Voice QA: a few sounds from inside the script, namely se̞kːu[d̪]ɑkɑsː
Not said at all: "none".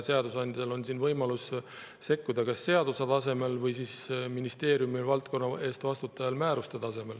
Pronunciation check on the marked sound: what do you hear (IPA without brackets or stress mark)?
d̪